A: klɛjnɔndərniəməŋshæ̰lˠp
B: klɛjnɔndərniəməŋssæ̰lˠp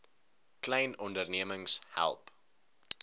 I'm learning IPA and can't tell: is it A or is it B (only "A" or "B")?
A